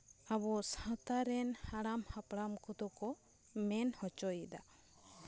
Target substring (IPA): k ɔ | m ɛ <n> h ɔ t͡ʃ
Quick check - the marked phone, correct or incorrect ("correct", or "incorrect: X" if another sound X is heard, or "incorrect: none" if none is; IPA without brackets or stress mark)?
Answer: correct